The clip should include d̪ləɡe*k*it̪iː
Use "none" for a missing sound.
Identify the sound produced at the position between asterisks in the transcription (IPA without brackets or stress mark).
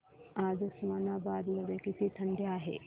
k